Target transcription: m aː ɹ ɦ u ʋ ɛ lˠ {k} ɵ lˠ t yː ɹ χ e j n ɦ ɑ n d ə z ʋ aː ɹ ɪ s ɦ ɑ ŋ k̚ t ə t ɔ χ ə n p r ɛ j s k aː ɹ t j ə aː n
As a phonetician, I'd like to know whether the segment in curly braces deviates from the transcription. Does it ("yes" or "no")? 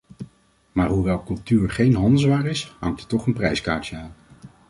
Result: no